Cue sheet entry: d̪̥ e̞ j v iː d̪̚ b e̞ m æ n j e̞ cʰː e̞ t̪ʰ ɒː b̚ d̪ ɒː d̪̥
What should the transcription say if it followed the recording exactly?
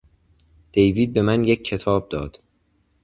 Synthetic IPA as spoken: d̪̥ e̞ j v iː d̪̚ b e̞ m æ n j e̞ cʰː e̞ t̪ʰ ɒː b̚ d̪ ɒː d̪̥